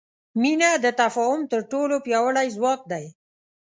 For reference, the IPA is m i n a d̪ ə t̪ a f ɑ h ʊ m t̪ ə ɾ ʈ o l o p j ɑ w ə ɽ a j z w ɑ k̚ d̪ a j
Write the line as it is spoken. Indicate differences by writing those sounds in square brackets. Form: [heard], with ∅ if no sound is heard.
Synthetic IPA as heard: m i n a d̪ ə t̪ a f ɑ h ʊ m t̪ ə ɾ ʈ o l o p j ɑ w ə ɽ a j z w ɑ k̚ d̪ a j